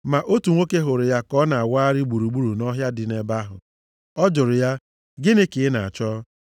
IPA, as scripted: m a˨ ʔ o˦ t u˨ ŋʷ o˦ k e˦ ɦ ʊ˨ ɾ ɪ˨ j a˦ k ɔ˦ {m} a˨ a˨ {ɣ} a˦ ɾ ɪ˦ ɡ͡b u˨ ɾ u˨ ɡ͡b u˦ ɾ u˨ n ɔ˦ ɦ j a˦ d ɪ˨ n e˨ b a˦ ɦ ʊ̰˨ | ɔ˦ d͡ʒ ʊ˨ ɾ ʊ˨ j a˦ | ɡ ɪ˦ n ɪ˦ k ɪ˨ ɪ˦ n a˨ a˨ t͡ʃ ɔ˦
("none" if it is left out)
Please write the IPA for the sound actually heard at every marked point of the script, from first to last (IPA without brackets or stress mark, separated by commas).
n, w